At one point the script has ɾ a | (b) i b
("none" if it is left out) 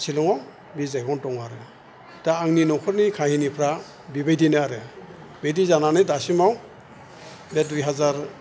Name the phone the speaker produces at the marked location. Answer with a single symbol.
b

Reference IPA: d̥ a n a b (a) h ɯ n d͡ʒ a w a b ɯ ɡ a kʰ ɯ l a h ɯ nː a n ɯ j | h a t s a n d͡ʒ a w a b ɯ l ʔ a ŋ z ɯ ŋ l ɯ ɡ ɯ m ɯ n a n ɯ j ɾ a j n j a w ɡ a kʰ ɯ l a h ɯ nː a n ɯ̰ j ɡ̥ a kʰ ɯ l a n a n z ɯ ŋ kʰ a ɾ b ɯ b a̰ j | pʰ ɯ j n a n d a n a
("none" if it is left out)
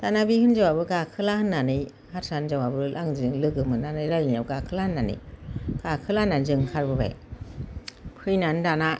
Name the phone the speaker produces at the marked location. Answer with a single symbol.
i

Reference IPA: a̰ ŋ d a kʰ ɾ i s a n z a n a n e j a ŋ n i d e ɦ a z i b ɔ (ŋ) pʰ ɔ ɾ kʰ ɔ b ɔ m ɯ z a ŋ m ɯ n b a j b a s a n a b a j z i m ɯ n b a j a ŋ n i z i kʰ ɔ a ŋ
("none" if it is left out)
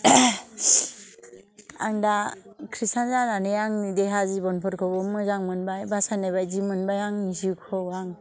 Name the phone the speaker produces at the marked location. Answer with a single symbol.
n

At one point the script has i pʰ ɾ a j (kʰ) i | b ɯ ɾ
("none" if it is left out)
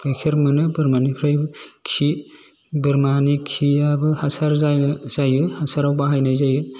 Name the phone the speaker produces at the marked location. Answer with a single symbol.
kʰ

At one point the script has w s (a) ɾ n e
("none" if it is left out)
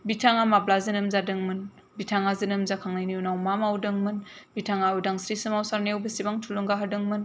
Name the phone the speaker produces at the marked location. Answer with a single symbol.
a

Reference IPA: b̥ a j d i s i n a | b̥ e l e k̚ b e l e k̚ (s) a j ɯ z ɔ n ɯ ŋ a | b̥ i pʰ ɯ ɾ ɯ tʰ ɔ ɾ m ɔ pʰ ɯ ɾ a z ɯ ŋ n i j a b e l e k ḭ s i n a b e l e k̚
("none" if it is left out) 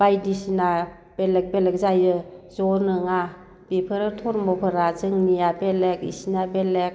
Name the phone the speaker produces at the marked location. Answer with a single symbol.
z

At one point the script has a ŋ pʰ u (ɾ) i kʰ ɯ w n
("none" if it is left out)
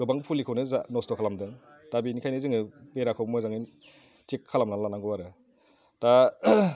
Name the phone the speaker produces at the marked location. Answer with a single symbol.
l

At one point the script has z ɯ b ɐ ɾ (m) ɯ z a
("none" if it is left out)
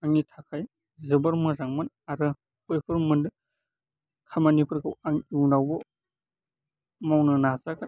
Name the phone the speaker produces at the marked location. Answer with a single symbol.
m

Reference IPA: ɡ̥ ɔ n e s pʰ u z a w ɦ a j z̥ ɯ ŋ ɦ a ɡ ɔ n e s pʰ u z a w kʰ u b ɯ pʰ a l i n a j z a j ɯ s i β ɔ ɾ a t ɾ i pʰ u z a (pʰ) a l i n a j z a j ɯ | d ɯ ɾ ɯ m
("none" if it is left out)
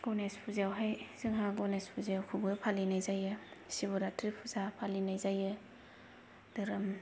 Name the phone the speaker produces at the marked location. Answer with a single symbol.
pʰ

